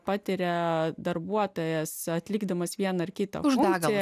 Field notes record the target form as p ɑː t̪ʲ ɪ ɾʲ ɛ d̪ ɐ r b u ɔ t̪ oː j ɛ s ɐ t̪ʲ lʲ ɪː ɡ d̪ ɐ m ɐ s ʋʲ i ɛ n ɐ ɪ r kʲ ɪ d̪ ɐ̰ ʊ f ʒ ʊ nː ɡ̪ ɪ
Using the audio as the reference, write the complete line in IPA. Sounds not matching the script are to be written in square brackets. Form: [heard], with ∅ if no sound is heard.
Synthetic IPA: p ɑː t̪ʲ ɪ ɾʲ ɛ d̪ ɐ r b u ɔ t̪ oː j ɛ s ɐ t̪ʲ lʲ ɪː ɡ d̪ ɐ m ɐ s ʋʲ i ɛ n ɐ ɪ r kʲ ɪ [t̪] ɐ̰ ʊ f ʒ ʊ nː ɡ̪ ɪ